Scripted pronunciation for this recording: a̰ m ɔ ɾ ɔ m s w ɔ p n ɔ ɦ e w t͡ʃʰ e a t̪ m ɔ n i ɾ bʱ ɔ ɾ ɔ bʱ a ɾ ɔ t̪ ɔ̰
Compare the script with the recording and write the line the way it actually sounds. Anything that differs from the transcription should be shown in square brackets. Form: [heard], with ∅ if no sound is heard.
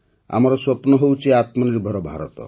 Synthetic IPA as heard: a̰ m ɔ ɾ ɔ [∅] s w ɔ p n ɔ ɦ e w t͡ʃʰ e a t̪ m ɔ n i ɾ bʱ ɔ ɾ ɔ bʱ a ɾ ɔ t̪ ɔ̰

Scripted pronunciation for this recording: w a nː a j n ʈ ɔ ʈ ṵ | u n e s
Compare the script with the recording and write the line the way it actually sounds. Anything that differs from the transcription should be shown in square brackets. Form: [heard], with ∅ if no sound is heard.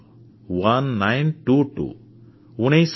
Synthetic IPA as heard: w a nː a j n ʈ [u] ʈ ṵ | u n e s

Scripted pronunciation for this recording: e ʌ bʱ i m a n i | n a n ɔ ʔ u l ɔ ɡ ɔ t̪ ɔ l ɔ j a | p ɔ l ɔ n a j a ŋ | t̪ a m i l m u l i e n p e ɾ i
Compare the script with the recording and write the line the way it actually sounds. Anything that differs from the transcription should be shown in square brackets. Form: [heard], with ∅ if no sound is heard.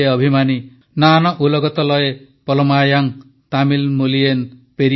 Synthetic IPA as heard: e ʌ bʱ i m a n i | n a n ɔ ʔ u l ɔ ɡ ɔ t̪ ɔ l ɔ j [e] | p ɔ l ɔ [m] a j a ŋ | t̪ a m i l m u l i e n p e ɾ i

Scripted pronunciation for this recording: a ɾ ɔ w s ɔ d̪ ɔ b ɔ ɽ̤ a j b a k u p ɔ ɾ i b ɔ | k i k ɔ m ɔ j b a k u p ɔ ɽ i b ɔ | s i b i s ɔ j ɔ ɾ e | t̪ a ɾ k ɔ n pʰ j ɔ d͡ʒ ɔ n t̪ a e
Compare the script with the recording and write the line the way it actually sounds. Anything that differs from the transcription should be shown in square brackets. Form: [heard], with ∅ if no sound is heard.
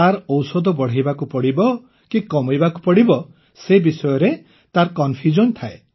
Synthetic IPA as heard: a ɾ ɔ w s ɔ d̪ ɔ b ɔ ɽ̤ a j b a k u p ɔ [ɽ] i b ɔ | k i k ɔ m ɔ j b a k u p ɔ ɽ i b ɔ | s [e] b i s ɔ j ɔ ɾ e | t̪ a ɾ k ɔ n pʰ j [u] d͡ʒ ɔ n [t̪ʰ] a e

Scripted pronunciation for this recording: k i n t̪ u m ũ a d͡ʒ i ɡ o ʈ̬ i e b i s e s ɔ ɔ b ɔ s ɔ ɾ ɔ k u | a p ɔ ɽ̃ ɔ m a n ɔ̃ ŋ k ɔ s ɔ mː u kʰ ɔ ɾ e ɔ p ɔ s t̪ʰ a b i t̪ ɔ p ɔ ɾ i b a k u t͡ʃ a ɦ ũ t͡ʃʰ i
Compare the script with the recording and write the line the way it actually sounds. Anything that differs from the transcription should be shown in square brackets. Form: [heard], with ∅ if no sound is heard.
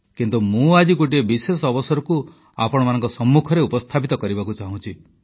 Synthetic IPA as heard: k i n t̪ u m ũ a d͡ʒ i ɡ o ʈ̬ i e b i s e s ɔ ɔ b ɔ s ɔ ɾ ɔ k u | a p ɔ ɽ̃ ɔ m a n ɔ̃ ŋ k ɔ s ɔ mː u kʰ ɔ ɾ e [u] p ɔ s t̪ʰ a [p] i t̪ ɔ [k] ɔ ɾ i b a k u t͡ʃ a ɦ ũ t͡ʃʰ i

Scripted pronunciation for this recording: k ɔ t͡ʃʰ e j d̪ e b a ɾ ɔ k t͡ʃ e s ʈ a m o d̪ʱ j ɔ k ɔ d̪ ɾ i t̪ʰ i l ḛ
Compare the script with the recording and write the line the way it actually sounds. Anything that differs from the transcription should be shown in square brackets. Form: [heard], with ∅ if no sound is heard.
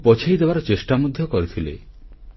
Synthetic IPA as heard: [p] ɔ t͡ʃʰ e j d̪ e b a ɾ ɔ [∅] t͡ʃ e s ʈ a m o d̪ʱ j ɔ k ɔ [∅] ɾ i t̪ʰ i l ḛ

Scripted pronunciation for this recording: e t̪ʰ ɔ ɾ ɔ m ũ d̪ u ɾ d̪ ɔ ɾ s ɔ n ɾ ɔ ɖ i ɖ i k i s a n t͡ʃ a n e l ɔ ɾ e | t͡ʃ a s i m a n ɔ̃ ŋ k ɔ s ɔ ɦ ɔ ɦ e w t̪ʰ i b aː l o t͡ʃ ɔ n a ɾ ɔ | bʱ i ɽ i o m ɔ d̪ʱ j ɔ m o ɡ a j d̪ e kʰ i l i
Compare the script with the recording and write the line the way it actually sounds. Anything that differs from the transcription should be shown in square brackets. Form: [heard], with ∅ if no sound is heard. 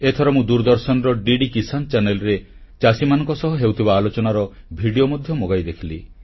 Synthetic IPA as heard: e t̪ʰ ɔ ɾ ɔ m ũ d̪ u ɾ d̪ ɔ ɾ s ɔ n ɾ ɔ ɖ i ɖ i k i s a n t͡ʃ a n e l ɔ ɾ e | t͡ʃ a s i m a n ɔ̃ ŋ k ɔ s ɔ ɦ ɔ ɦ e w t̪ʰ i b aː l o t͡ʃ ɔ n a ɾ ɔ | bʱ i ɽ i o m ɔ d̪ʱ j ɔ m o ɡ a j d̪ e kʰ i l i

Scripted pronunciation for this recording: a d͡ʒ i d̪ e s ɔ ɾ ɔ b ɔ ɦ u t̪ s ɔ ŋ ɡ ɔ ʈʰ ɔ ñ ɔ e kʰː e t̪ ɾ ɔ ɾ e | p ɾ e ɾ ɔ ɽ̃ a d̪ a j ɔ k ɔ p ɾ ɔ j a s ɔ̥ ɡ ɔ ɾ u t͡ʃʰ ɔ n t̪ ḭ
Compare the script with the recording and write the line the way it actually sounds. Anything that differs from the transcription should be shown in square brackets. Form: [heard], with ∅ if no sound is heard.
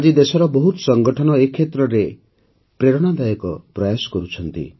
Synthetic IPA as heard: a d͡ʒ i d̪ e s ɔ ɾ ɔ b ɔ ɦ u t̪ s ɔ ŋ ɡ ɔ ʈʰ ɔ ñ ɔ e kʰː e t̪ ɾ ɔ ɾ e | p ɾ e ɾ ɔ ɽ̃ a d̪ a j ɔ k ɔ p ɾ ɔ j a s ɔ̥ [k] ɔ ɾ u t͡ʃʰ ɔ n t̪ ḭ

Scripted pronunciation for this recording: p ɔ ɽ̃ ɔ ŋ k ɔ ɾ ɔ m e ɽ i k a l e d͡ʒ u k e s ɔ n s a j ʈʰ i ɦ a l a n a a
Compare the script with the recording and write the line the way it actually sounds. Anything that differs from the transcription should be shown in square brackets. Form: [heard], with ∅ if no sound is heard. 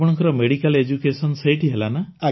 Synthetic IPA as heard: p ɔ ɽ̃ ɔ ŋ k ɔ ɾ ɔ m e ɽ i k a l e d͡ʒ u k e s ɔ n s [e] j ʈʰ i ɦ [e] l a n a a

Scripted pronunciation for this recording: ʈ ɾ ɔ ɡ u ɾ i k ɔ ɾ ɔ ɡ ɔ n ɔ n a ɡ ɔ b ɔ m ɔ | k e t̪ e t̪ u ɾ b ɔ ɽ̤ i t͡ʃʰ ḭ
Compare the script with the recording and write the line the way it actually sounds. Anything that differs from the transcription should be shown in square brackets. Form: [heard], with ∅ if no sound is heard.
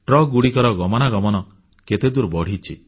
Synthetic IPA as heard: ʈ ɾ ɔ ɡ u [ɽ] i k ɔ ɾ ɔ ɡ ɔ [m] ɔ n a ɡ ɔ [m] ɔ [n] ɔ | k e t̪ e [d̪] u ɾ b ɔ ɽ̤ i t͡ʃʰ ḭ

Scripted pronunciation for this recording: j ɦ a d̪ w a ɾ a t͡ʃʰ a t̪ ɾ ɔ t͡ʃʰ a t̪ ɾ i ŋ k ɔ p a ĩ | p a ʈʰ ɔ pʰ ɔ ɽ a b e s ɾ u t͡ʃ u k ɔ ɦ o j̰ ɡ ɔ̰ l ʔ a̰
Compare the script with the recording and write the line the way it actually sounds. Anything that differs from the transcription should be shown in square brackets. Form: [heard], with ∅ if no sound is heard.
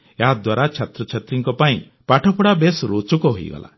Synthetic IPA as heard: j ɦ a d̪ w a ɾ a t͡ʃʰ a t̪ ɾ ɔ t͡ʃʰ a t̪ ɾ i ŋ k ɔ p a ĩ | p a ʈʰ ɔ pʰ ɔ ɽ a b e s ɾ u t͡ʃ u k ɔ ɦ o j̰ ɡ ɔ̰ l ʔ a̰

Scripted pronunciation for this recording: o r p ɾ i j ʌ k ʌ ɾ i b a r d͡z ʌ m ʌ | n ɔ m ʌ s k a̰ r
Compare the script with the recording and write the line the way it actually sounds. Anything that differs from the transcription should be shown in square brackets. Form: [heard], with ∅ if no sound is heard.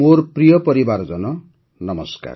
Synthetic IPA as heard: o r p [r] i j ʌ [p] ʌ ɾ i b a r d͡z ʌ [n] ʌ | n [ʌ] m ʌ s k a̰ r

